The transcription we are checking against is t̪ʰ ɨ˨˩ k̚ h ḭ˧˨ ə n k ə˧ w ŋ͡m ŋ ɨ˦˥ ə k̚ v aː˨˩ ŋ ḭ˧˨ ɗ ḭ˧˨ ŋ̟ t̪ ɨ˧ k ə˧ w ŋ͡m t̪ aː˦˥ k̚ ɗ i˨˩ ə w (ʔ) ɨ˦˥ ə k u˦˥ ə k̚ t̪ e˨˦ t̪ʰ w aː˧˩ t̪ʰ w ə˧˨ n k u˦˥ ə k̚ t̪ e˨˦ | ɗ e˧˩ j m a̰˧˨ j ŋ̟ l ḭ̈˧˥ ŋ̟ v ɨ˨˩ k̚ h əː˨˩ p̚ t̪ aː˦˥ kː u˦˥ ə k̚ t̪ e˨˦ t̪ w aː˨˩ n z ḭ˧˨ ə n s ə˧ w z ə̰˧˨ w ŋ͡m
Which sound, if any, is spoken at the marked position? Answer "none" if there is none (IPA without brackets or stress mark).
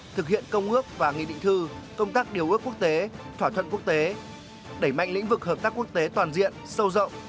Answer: ʔ